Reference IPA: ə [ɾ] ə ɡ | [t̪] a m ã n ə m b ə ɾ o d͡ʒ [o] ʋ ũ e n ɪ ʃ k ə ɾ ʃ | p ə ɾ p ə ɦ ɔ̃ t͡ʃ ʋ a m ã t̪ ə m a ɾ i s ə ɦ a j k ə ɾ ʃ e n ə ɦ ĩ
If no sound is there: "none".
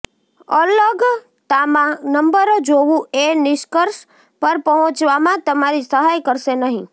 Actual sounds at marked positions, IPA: l, t̪, o

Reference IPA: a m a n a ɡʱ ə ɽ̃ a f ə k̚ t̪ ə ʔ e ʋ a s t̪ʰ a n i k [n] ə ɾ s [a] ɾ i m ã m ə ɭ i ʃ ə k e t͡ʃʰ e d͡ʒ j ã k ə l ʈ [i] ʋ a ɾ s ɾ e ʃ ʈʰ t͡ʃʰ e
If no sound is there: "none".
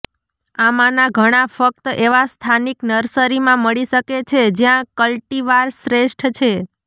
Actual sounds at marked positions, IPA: n, ə, i

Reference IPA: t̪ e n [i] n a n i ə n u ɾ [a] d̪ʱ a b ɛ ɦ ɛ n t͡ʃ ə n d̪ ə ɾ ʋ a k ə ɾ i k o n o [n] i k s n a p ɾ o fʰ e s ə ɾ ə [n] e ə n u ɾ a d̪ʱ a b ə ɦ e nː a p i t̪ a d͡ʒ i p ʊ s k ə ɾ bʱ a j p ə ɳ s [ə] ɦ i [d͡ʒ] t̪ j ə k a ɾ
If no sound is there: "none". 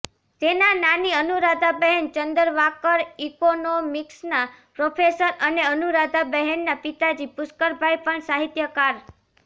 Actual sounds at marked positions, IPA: a, a, m, n, a, none

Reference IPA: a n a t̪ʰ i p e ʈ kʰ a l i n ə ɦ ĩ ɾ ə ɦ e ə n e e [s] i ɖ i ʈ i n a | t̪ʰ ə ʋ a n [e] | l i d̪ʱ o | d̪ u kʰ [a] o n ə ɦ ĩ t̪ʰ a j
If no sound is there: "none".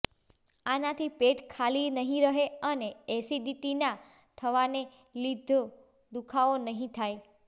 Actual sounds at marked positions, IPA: s, e, a

